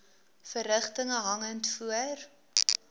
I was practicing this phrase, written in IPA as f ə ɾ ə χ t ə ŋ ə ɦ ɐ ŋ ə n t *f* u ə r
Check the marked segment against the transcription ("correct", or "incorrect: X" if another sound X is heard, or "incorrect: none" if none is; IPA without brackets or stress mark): correct